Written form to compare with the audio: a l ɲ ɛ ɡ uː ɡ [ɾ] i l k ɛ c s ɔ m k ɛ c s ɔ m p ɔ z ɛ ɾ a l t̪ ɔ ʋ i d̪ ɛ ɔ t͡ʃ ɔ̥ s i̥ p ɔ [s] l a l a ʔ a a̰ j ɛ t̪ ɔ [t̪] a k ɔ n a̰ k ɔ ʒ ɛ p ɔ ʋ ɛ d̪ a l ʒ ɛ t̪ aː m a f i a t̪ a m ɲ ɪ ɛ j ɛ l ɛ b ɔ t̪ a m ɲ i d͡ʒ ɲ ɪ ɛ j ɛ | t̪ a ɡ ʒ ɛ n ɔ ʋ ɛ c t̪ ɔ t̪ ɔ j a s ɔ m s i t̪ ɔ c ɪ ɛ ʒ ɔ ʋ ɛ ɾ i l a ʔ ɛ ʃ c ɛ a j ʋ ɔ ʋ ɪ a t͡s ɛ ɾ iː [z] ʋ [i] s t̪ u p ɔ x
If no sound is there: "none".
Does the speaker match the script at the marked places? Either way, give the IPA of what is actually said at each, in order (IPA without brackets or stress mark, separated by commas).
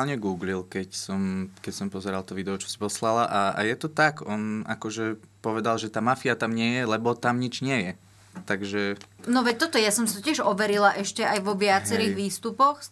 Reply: l, s, t̪, ɣ, iː